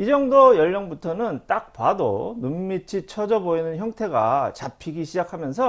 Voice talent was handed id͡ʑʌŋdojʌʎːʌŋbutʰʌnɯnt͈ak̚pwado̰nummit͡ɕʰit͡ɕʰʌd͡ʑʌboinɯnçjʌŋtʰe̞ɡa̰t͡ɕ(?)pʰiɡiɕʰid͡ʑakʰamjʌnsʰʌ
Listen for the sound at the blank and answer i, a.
a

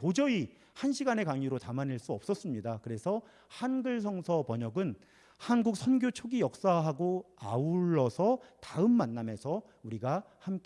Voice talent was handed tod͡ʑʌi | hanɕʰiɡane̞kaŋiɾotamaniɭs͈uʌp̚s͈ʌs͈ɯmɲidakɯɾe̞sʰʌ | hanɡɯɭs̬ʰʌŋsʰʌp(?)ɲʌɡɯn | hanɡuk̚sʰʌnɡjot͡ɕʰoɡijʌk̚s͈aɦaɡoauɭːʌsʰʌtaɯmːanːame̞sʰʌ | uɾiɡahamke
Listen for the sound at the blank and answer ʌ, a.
ʌ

